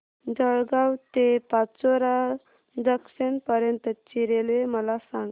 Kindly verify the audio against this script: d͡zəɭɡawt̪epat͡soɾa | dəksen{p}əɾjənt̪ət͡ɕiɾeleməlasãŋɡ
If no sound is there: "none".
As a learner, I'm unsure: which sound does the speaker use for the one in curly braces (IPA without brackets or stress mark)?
p